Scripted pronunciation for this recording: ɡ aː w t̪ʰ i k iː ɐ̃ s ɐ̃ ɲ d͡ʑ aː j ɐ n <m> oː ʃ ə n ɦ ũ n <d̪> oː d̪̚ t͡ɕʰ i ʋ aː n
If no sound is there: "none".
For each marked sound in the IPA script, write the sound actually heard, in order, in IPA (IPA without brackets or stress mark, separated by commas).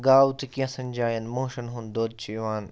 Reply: m, d̪